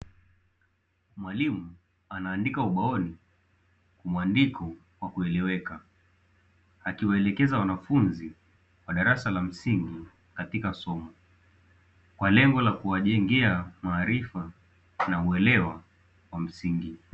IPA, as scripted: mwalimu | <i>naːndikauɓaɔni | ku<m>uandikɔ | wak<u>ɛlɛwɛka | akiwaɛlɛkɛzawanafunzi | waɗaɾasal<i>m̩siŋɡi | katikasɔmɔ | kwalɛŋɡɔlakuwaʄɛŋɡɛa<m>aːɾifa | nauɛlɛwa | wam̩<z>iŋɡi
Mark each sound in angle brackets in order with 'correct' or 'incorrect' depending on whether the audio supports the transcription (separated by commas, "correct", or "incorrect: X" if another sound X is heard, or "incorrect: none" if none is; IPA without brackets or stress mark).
incorrect: a, correct, correct, incorrect: a, correct, incorrect: s